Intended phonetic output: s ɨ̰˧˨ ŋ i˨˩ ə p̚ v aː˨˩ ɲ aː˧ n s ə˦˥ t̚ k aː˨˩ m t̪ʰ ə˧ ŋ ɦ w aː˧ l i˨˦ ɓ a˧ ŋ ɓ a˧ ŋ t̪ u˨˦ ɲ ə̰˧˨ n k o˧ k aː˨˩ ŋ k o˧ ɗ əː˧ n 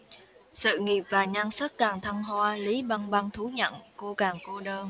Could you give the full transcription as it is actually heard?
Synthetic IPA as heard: s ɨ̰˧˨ ŋ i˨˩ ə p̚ v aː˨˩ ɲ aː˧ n s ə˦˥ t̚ k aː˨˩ ŋ t̪ʰ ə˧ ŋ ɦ w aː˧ l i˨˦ ɓ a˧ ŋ ɓ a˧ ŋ t̪ʰ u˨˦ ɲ ə̰˧˨ n k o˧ k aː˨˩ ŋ k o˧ ɗ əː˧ n